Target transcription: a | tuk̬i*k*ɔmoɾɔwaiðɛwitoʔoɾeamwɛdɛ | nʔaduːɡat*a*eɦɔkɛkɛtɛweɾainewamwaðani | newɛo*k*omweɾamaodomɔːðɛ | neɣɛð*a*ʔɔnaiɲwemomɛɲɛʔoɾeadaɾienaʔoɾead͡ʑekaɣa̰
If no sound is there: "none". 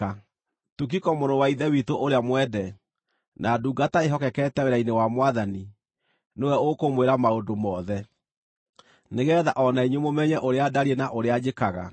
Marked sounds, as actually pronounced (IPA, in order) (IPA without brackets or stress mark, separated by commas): k, a, k, a